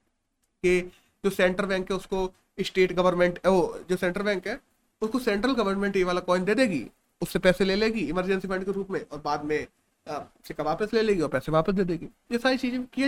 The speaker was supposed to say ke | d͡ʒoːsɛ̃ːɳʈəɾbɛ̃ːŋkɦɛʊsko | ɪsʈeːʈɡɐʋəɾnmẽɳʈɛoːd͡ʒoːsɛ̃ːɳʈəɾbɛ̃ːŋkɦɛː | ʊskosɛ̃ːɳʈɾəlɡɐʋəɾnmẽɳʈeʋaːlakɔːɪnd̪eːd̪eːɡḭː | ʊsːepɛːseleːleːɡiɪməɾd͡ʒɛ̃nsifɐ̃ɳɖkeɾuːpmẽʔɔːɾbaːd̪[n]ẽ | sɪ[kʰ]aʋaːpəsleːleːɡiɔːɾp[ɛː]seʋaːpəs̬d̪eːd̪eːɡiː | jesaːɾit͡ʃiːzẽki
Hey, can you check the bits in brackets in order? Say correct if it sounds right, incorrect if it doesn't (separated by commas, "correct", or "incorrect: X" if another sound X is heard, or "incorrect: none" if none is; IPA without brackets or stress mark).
incorrect: m, incorrect: k, correct